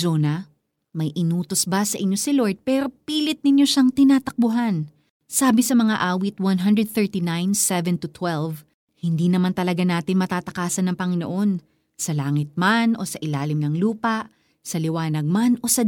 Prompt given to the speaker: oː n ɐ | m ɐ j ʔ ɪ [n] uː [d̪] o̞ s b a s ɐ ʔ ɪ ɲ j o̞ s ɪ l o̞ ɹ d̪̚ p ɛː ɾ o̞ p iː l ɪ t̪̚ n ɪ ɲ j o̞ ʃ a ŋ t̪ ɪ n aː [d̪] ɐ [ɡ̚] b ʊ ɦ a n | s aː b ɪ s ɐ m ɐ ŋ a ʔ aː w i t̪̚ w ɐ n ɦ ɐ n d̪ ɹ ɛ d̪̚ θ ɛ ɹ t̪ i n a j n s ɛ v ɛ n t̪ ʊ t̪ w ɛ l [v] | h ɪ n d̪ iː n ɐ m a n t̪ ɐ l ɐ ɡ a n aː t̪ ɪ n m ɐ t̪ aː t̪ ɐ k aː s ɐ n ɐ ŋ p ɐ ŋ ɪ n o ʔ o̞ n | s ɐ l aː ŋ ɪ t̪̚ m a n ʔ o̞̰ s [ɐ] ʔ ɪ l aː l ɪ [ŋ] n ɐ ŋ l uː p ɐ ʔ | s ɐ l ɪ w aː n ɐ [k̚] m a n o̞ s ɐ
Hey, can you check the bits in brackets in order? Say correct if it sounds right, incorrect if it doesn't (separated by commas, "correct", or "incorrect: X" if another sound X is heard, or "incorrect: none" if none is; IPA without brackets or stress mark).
correct, incorrect: t̪, incorrect: t̪, incorrect: k̚, correct, correct, incorrect: m, incorrect: ɡ̚